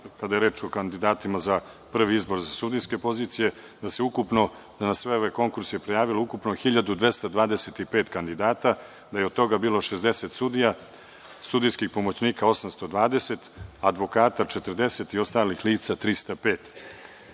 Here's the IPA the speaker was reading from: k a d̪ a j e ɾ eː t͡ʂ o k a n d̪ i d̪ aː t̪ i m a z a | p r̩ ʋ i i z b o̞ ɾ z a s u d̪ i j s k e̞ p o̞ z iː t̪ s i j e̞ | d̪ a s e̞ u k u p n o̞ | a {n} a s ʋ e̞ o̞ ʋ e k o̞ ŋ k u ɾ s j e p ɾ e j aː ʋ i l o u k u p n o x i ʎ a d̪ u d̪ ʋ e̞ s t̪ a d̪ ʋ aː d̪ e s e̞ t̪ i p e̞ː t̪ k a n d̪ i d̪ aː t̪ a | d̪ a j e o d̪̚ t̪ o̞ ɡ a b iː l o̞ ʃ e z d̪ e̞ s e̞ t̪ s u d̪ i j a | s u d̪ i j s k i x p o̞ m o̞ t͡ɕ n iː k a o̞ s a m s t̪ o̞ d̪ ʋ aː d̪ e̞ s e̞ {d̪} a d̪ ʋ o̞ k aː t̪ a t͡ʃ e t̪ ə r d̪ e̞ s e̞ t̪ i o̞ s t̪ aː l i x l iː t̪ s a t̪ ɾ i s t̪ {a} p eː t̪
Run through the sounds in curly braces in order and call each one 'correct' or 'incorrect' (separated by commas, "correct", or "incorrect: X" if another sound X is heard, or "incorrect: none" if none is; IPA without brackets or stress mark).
correct, incorrect: t̪, correct